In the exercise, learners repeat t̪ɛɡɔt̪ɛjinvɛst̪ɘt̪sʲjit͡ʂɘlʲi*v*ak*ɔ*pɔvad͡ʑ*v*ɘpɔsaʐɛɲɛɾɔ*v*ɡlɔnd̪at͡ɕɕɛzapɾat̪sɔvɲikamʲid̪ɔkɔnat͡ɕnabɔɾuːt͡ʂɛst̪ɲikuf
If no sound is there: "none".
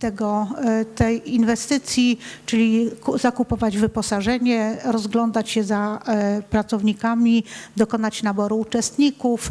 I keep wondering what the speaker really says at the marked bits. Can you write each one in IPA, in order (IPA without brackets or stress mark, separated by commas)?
z, u, v, z